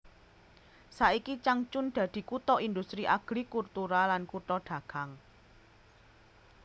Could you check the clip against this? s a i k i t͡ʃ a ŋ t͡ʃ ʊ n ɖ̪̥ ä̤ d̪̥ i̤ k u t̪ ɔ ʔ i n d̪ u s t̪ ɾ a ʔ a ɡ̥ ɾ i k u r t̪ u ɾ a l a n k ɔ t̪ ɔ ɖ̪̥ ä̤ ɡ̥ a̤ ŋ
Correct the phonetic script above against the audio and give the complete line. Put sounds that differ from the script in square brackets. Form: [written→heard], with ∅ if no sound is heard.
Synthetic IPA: s a i k i t͡ʃ a ŋ t͡ʃ ʊ n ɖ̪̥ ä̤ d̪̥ i̤ k u t̪ ɔ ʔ i n d̪ u s t̪ ɾ [a→i] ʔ a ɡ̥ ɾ i k u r t̪ u ɾ a l a n k [ɔ→u] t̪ ɔ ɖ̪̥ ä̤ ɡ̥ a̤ ŋ